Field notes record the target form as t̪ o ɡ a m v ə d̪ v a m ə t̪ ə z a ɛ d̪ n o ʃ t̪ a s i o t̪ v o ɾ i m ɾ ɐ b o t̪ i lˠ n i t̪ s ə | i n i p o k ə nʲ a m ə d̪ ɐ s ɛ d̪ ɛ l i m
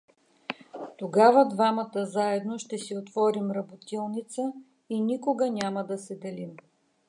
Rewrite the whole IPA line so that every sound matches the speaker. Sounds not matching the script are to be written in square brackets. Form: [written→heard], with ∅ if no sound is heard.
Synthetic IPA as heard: t̪ o ɡ a [m→∅] v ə d̪ v a m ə t̪ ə z a ɛ d̪ n o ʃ t̪ [a→ɛ] s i o t̪ v [o→ɔ] ɾ i m ɾ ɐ b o t̪ i lˠ n i t̪ s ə | i n i [p→k] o [k→ɡ] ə nʲ a m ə d̪ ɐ s ɛ d̪ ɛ l i m

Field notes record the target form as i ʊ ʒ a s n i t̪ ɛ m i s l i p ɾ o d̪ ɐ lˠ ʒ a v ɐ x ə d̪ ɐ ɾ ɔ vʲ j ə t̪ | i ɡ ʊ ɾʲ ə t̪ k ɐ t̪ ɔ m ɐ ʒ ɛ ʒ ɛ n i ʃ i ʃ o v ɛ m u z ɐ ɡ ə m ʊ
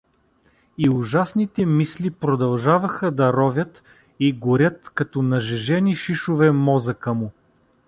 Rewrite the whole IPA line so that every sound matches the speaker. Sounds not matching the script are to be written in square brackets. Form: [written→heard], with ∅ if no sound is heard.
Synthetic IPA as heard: i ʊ ʒ a s n i t̪ ɛ m i s l i p ɾ o d̪ ɐ lˠ ʒ a v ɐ x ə d̪ ɐ ɾ ɔ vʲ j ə t̪ | i ɡ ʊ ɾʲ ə t̪ k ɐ t̪ ɔ [m→n] ɐ ʒ ɛ ʒ ɛ n i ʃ i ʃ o v ɛ m [u→ɔ] z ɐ [ɡ→k] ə m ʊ

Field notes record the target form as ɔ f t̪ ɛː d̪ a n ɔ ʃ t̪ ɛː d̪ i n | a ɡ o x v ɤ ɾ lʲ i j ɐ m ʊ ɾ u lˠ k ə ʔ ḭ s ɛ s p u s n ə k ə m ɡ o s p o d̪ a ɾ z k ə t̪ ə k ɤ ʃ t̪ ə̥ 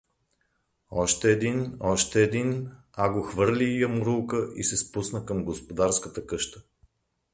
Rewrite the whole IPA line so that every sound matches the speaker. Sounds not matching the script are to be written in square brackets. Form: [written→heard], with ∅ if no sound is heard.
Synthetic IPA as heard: ɔ [f→ʃ] t̪ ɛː d̪ [a→i] n ɔ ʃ t̪ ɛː d̪ i n | a ɡ o x v ɤ ɾ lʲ i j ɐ m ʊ ɾ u lˠ k ə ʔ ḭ s ɛ s p u s n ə k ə m ɡ o s p o d̪ a ɾ [z→s] k ə t̪ ə k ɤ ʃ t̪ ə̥

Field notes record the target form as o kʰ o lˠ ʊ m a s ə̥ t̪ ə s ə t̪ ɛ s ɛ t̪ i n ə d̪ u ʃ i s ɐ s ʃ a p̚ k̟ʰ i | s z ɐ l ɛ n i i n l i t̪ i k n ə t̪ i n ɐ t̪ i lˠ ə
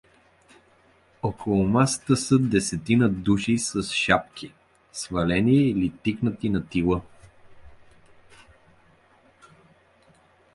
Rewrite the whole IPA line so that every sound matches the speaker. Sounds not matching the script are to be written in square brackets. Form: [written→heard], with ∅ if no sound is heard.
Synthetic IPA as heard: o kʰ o lˠ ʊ m a s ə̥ t̪ ə s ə [t̪→d̪] ɛ s ɛ t̪ i n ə d̪ u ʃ i s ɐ s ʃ a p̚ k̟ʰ i | s [z→v] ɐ l ɛ n i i [n→∅] l i t̪ i k n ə t̪ i n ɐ t̪ i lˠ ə

